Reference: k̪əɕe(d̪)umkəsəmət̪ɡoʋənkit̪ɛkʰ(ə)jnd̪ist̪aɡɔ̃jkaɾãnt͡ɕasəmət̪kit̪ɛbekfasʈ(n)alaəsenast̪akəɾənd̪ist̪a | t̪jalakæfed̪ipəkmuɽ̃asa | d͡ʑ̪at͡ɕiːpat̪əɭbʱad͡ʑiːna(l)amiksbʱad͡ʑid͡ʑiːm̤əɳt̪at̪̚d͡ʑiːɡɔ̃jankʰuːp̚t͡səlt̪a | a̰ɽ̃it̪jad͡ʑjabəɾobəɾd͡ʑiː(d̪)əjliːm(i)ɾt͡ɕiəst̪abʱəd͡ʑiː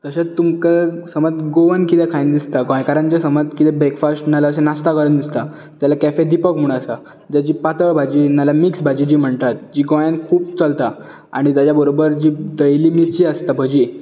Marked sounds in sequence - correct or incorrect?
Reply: incorrect, incorrect, correct, correct, correct, correct

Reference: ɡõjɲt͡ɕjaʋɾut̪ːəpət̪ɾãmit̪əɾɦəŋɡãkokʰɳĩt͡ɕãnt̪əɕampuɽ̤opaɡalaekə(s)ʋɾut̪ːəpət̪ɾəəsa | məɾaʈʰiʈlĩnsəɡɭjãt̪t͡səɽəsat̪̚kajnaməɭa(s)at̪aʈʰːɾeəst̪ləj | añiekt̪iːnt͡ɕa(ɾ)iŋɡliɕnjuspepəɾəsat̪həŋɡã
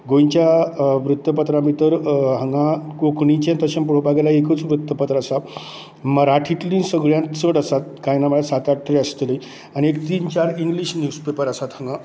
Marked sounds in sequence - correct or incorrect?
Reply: incorrect, correct, correct

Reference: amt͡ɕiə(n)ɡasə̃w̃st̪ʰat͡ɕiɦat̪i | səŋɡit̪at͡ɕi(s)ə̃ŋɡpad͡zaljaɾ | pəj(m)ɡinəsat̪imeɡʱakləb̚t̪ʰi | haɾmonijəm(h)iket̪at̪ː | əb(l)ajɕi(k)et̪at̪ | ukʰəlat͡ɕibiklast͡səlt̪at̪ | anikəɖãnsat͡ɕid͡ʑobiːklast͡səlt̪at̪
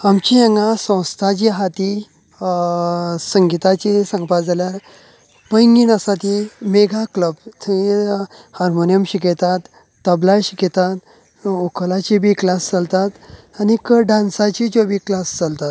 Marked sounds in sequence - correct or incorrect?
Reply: incorrect, correct, incorrect, incorrect, correct, correct

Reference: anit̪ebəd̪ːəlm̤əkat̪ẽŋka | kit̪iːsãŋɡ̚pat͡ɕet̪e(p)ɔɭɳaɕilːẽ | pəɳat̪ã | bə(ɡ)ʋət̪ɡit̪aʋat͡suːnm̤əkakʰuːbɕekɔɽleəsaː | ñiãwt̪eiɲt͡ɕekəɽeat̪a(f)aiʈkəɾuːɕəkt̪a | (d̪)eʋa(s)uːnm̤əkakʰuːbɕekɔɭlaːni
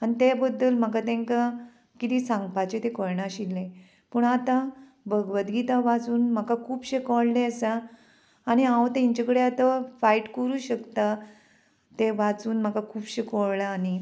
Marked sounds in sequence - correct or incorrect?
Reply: incorrect, correct, correct, incorrect, incorrect

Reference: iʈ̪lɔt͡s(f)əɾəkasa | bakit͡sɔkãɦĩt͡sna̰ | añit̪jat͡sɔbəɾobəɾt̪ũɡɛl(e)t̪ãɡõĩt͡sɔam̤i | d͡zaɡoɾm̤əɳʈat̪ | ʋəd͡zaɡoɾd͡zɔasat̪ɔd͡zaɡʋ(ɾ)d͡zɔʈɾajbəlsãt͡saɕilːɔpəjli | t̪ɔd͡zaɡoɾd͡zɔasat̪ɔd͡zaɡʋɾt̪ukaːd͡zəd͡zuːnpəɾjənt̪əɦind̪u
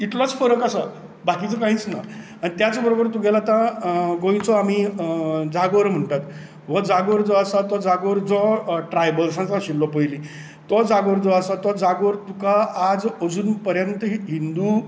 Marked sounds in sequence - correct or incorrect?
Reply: correct, incorrect, correct

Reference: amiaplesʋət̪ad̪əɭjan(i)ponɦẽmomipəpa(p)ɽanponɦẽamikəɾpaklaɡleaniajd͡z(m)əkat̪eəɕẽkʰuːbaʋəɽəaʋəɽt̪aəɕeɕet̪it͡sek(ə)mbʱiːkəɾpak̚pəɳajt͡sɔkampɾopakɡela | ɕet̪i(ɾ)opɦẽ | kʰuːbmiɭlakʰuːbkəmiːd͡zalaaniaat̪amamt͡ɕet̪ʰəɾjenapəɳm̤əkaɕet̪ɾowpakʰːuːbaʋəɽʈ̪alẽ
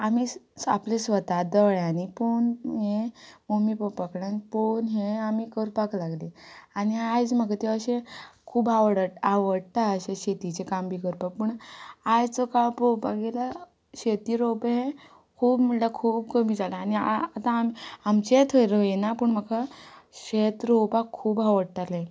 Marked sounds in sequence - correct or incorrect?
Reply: correct, incorrect, correct, incorrect, correct

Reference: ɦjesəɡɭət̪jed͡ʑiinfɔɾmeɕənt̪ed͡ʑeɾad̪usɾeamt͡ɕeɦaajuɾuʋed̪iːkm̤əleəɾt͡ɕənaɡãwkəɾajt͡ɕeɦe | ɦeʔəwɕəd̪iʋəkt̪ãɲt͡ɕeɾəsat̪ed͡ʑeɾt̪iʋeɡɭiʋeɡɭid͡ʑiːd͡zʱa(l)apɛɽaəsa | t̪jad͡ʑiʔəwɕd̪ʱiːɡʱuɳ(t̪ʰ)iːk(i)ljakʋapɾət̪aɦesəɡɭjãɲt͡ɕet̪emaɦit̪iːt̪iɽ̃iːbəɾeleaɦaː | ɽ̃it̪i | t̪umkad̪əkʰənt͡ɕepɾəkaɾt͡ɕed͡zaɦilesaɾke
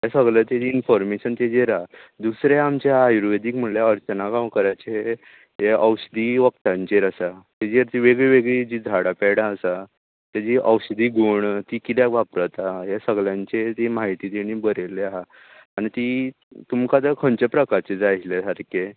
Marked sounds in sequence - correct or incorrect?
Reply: incorrect, incorrect, correct

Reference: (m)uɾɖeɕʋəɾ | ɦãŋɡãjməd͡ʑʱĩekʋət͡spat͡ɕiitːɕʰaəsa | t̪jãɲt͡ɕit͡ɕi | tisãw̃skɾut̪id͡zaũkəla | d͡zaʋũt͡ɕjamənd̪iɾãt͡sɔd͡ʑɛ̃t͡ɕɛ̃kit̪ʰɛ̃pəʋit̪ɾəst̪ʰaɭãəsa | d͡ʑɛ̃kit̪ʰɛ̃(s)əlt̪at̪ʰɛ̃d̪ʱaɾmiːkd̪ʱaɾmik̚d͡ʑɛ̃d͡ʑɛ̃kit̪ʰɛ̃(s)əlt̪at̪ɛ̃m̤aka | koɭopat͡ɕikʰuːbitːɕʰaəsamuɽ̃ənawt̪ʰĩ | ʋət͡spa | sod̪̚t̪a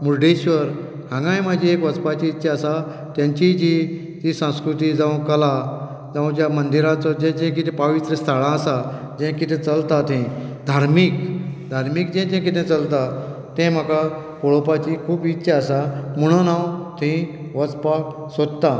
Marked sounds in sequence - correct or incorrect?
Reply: correct, incorrect, incorrect

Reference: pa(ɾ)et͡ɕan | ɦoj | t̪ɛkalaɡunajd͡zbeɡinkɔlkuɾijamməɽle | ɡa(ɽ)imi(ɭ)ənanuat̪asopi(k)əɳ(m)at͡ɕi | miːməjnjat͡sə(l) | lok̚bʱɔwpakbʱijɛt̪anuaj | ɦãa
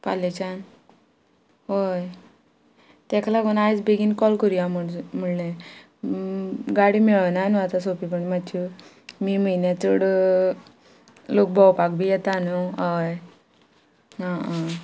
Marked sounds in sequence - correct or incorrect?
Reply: incorrect, correct, correct, incorrect, correct, incorrect

